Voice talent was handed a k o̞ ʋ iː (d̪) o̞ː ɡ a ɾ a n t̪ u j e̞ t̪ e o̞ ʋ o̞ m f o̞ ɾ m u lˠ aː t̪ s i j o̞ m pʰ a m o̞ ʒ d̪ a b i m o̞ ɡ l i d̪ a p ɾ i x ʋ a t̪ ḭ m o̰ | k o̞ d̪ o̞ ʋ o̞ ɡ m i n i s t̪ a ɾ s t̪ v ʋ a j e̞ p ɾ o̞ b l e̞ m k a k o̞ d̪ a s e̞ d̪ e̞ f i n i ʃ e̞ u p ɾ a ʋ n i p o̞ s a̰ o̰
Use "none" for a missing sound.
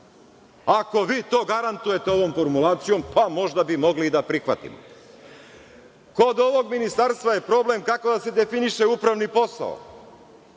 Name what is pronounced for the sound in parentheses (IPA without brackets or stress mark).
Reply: t̪